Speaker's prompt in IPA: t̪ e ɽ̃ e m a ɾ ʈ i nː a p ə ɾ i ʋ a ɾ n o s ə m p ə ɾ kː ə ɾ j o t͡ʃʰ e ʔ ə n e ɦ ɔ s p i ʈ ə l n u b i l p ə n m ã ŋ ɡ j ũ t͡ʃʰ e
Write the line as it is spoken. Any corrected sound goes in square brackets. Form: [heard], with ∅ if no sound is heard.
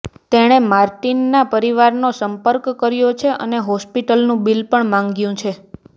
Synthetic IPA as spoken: t̪ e ɽ̃ e m a ɾ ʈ i nː a p ə ɾ i ʋ a ɾ n o s ə m p ə ɾ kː ə ɾ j o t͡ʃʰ e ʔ ə n e ɦ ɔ s p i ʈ ə l n [ũ] b i l p ə [ɳ] m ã ŋ ɡ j ũ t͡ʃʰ e